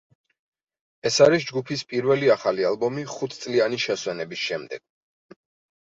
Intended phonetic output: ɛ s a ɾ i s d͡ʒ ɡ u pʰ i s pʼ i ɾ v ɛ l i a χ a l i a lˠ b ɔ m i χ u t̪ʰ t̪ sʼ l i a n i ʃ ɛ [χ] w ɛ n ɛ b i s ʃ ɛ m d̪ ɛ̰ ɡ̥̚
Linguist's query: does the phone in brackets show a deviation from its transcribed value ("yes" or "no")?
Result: yes